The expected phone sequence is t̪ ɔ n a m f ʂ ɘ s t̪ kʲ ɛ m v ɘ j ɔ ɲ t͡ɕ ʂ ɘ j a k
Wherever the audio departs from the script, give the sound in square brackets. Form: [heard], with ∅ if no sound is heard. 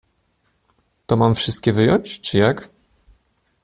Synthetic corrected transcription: t̪ ɔ [m] a m f ʂ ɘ s t̪ kʲ ɛ [∅] v ɘ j ɔ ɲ t͡ɕ [t͡ʂ] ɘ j a k